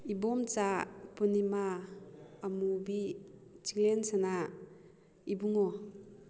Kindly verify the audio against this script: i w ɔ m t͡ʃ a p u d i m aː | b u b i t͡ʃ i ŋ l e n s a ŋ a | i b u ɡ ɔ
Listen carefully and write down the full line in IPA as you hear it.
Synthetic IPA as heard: i b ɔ m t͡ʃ a p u n i m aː | m u b i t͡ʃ i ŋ l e n s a n a | i b u ŋ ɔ